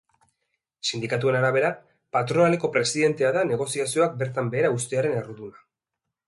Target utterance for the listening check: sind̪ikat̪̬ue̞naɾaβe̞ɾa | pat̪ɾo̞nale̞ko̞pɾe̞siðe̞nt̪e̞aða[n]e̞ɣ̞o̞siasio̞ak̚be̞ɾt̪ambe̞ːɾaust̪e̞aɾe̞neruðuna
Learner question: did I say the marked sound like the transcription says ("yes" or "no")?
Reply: yes